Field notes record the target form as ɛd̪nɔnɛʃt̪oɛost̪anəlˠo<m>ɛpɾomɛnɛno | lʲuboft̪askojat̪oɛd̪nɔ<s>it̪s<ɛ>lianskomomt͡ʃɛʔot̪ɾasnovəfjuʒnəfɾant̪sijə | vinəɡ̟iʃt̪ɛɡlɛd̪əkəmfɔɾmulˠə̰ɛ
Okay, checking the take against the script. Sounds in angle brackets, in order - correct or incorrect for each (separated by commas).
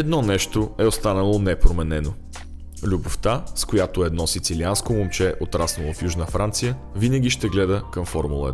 incorrect, correct, incorrect